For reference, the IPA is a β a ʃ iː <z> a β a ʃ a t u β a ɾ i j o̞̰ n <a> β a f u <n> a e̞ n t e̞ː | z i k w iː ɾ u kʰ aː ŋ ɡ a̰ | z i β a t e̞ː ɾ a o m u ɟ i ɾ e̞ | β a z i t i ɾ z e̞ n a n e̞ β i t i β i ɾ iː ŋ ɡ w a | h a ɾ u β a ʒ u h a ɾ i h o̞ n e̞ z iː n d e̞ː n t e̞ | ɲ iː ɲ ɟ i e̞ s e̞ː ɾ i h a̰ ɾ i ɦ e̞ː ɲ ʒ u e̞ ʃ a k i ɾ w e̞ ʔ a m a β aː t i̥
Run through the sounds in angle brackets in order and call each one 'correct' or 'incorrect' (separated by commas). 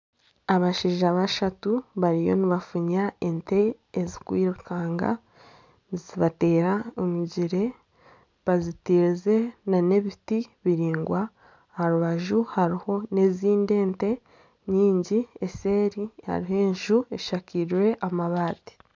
incorrect, incorrect, incorrect